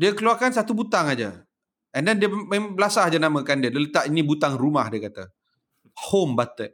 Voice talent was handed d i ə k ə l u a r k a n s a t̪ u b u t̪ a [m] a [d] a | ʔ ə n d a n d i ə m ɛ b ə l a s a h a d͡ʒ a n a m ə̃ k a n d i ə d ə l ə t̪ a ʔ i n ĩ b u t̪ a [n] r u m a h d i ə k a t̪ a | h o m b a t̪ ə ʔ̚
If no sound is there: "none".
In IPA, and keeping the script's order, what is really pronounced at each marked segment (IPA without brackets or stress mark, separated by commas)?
ŋ, d͡ʒ, ŋ